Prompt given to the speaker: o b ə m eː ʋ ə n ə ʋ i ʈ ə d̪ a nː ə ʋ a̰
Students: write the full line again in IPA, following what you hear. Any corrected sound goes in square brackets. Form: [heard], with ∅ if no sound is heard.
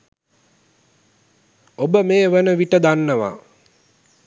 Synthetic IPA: o b ə m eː ʋ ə n ə ʋ i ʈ ə d̪ a nː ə ʋ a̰